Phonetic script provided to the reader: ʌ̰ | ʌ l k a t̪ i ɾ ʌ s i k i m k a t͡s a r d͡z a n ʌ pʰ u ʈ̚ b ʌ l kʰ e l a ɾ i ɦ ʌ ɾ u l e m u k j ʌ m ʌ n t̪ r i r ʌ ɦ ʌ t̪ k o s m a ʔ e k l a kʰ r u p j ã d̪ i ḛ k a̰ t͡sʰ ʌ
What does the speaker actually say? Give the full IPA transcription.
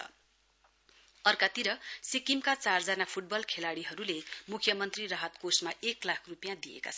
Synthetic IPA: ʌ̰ | ʌ r k a t̪ i ɾ ʌ s i k i m k a t͡s a r d͡z a n a pʰ u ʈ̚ b ʌ l kʰ e l a ɽ i ɦ ʌ ɾ u l e m u kʰ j ʌ m ʌ n t̪ r i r ʌ ɦ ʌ t̪ k o s m a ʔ e k l a kʰ r u p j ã d̪ i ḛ k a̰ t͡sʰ ʌ